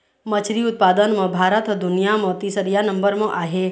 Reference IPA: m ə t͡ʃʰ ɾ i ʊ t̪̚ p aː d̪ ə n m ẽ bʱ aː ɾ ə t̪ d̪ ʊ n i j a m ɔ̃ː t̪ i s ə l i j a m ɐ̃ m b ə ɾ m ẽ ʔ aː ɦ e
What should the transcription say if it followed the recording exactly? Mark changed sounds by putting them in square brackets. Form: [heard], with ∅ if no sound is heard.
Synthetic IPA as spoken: m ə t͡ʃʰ ɾ i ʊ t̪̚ p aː d̪ ə n m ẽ bʱ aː ɾ ə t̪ d̪ ʊ n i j a m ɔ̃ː t̪ i s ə [ɾ] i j a [n] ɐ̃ m b ə ɾ m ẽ ʔ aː ɦ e